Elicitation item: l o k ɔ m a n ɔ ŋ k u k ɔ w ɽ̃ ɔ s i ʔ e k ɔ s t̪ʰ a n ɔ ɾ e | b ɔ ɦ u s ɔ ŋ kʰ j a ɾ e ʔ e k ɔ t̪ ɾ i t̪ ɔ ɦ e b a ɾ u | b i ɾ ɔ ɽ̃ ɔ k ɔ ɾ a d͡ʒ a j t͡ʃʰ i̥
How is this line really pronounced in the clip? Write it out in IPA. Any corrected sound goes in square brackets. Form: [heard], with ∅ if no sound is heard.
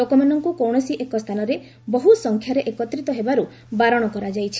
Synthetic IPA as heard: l o k ɔ m a n ɔ ŋ k u k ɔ w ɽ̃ ɔ s i ʔ e k ɔ s t̪ʰ a n ɔ ɾ e | b ɔ ɦ u s ɔ ŋ kʰ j a ɾ e ʔ e k ɔ t̪ ɾ i t̪ ɔ ɦ e b a ɾ u | b [a] ɾ ɔ ɽ̃ ɔ k ɔ ɾ a d͡ʒ a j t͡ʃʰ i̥